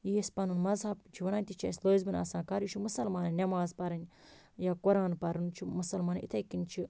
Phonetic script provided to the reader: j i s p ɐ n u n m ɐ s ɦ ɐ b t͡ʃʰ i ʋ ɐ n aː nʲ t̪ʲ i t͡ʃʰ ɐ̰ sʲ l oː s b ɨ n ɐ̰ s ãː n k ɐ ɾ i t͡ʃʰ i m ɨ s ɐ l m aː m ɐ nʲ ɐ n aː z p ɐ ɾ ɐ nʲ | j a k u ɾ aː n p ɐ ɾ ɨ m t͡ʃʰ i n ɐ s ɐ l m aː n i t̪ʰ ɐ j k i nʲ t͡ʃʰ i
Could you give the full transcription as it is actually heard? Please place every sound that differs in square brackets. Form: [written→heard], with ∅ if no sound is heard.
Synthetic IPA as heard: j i s p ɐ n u n m ɐ [s→z] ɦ ɐ b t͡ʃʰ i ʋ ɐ n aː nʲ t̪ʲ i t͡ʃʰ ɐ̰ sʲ l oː [s→z] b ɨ n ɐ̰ s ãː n k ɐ ɾ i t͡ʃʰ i m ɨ s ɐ l m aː [m→n] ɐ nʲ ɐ [n→m] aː z p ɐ ɾ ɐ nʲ | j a k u ɾ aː n p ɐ ɾ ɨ [m→n] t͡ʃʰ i [n→m] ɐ s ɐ l m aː n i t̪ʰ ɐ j k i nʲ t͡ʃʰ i